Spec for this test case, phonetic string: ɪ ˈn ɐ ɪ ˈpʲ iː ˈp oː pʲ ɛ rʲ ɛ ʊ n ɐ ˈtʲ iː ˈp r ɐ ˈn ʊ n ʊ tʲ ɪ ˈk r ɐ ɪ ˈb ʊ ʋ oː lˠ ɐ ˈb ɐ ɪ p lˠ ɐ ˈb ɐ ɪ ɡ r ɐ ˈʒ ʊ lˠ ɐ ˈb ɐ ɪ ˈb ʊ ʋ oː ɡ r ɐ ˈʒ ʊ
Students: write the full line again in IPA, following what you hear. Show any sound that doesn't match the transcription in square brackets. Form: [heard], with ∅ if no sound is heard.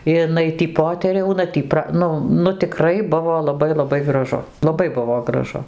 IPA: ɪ ˈn ɐ ɪ [ˈtʲ] iː ˈp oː [tʲ] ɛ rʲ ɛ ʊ n ɐ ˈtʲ iː ˈp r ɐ ˈn ʊ n ʊ tʲ ɪ ˈk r ɐ ɪ ˈb ʊ ʋ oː lˠ ɐ ˈb ɐ ɪ [∅] lˠ ɐ ˈb ɐ ɪ ɡ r ɐ ˈʒ ʊ lˠ ɐ ˈb ɐ ɪ ˈb ʊ ʋ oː ɡ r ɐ ˈʒ ʊ